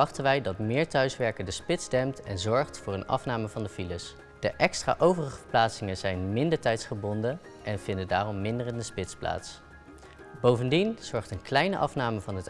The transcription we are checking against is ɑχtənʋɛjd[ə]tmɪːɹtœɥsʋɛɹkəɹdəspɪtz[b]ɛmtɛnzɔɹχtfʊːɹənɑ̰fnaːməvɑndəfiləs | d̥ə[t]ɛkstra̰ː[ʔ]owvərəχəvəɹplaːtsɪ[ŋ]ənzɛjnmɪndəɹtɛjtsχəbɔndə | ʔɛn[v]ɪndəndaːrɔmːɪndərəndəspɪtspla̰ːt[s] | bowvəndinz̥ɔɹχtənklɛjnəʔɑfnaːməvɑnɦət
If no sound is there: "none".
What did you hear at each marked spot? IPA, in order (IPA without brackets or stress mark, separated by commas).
ɑ, d, ʔ, ʔ, ŋ, v, s